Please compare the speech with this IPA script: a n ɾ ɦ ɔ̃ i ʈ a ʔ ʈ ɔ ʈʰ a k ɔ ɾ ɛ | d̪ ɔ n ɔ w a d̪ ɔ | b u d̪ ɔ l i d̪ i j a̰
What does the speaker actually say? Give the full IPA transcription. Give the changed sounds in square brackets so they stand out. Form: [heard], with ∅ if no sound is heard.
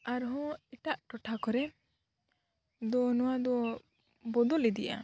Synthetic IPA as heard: a [∅] ɾ ɦ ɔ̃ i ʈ a ʔ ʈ ɔ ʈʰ a k ɔ ɾ ɛ | d̪ ɔ n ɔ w a d̪ ɔ | b [ɔ] d̪ ɔ l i d̪ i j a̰

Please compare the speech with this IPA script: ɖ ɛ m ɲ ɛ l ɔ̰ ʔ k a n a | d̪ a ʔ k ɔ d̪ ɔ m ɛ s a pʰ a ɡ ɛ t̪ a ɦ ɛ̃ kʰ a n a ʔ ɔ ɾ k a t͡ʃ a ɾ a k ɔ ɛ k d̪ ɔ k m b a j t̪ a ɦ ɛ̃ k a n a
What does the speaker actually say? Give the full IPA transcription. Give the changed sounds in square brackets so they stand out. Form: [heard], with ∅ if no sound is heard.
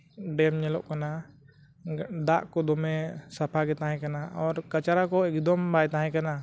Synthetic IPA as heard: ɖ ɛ m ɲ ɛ l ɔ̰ ʔ k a n a | d̪ a ʔ k ɔ d̪ ɔ m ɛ s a pʰ a ɡ ɛ t̪ a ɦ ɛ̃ [k] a n a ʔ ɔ ɾ k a t͡ʃ a ɾ a k ɔ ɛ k d̪ ɔ [∅] m b a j t̪ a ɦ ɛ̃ k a n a

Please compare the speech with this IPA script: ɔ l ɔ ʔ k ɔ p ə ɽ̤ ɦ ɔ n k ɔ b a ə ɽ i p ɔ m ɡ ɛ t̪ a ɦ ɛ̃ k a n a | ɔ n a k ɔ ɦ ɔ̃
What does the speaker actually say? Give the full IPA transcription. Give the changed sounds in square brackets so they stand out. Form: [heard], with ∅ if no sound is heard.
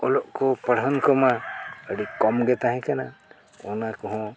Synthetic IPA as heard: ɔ l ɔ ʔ k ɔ p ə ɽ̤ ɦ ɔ n k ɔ [m] a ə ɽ i [k] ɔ m ɡ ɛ t̪ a ɦ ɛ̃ k a n a | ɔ n a k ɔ ɦ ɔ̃

